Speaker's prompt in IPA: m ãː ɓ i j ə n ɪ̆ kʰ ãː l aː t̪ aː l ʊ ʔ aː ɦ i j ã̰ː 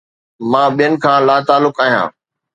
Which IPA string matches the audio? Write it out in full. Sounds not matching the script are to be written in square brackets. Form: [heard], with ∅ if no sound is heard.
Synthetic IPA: m ãː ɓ i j ə n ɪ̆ kʰ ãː l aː t̪ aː l ʊ [k] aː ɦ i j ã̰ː